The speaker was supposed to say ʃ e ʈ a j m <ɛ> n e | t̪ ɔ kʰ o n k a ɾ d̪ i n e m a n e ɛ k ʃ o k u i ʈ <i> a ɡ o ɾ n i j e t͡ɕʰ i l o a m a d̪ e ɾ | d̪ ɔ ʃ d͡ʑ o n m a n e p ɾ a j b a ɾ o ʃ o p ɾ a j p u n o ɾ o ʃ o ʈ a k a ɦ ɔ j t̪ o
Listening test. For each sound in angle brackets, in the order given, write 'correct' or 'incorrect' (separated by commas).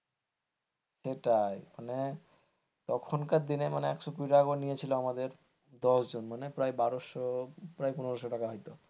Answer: incorrect, incorrect